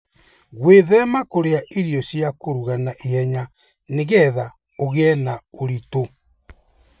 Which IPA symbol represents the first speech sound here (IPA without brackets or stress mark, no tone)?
ɣ